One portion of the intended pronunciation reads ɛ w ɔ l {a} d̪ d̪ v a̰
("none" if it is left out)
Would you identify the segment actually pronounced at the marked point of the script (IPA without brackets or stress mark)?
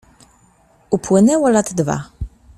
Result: a